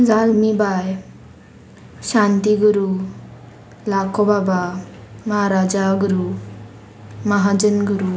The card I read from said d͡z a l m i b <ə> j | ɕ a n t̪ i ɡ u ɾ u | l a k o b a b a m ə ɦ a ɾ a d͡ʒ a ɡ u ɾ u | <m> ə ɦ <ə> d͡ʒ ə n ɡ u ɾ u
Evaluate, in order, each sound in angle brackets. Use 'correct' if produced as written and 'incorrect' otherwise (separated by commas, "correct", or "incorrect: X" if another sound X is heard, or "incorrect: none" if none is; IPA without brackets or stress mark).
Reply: incorrect: a, correct, incorrect: a